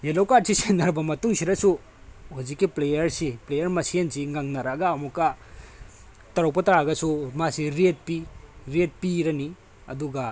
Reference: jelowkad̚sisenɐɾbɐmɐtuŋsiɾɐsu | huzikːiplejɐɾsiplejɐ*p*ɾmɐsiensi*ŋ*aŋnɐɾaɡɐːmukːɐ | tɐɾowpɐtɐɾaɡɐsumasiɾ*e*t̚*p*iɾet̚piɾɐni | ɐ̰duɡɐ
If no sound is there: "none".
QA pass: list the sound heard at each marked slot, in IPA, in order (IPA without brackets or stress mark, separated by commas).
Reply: none, ŋ, e, p